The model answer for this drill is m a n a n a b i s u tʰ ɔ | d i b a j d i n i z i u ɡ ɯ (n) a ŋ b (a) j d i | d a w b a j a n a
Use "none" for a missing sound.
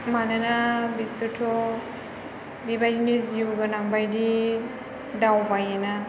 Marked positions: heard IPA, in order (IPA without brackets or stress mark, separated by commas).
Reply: n, a